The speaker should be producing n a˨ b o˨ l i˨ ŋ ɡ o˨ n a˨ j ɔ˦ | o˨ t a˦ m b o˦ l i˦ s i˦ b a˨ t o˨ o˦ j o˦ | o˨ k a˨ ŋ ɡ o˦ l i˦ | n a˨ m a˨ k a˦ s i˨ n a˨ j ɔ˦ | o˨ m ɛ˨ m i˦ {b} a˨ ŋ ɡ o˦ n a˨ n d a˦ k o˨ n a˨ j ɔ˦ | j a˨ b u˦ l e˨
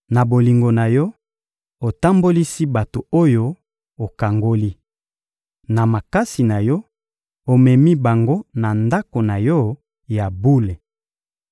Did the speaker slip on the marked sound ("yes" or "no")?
no